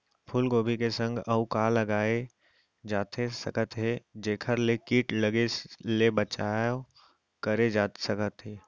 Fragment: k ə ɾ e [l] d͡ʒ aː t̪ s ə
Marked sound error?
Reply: yes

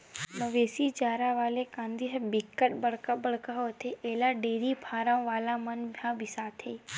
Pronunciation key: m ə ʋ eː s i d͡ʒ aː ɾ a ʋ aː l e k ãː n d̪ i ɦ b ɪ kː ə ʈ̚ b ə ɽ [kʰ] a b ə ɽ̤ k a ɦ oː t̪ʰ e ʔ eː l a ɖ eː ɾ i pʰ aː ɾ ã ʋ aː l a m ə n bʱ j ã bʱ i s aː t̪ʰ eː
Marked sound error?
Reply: yes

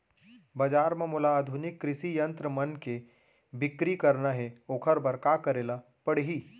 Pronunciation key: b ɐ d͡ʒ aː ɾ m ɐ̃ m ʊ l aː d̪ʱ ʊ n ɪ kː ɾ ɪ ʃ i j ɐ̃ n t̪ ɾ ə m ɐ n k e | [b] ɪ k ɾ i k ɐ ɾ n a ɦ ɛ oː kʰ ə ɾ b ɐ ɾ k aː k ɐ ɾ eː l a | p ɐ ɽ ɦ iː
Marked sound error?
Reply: no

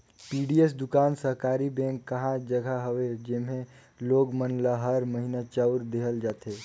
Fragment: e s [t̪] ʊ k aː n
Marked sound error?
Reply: yes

